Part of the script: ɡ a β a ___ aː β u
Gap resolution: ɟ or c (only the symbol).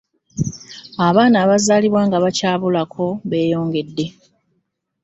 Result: c